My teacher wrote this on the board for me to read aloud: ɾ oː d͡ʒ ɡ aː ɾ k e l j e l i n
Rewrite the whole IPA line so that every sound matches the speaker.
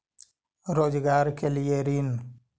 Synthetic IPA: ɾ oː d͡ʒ ɡ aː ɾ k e l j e ɾ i n